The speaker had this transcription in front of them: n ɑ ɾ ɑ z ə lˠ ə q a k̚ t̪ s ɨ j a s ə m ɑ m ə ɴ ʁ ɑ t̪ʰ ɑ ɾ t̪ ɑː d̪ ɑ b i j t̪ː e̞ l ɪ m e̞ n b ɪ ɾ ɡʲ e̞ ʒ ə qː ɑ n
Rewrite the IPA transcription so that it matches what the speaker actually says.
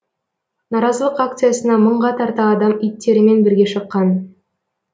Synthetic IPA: n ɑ ɾ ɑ z ə lˠ ə q a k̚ t̪ s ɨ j a s ə n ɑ m ə ɴ ʁ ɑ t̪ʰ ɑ ɾ t̪ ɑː d̪ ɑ m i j t̪ː e̞ ɾ ɪ m e̞ n b ɪ ɾ ɡʲ e̞ ʃ ə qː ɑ n